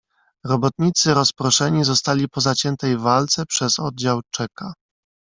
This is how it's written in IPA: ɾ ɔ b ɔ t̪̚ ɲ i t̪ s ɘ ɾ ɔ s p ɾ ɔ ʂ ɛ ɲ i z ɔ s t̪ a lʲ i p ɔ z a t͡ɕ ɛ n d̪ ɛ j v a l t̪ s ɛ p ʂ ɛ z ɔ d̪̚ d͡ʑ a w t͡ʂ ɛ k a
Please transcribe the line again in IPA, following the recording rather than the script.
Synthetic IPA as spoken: ɾ ɔ b ɔ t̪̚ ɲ i t̪ s ɘ ɾ ɔ s p ɾ ɔ ʂ ɛ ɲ i z ɔ s t̪ a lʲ i p ɔ z a t͡ɕ ɛ n t̪ ɛ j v a l t̪ s ɛ p ʂ ɛ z ɔ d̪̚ d͡ʑ a w t͡ʂ ɛ k a